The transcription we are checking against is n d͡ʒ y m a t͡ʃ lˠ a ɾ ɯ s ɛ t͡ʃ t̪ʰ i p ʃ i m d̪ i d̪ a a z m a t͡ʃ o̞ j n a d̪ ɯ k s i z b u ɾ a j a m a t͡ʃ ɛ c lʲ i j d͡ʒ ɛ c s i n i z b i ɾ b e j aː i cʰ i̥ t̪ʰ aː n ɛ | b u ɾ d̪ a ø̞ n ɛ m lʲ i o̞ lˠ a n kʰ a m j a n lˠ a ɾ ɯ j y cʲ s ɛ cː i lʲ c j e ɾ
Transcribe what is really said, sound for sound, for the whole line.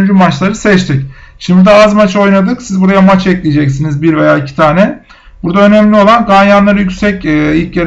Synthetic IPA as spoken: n d͡ʒ y m a t͡ʃ lˠ a ɾ ɯ s ɛ t͡ʃ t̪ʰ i c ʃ i m d̪ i d̪ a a z m a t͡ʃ o̞ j n a d̪ ɯ k s i z b u ɾ a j a m a t͡ʃ ɛ c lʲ i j d͡ʒ ɛ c s i n i z b i ɾ v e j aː i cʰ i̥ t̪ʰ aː n ɛ | b u ɾ d̪ a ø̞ n ɛ m lʲ i o̞ lˠ a n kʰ a n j a n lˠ a ɾ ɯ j y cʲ s ɛ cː i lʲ c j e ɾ